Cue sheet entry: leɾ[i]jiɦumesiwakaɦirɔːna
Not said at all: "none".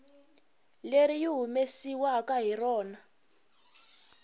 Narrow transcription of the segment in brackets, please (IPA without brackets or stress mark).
i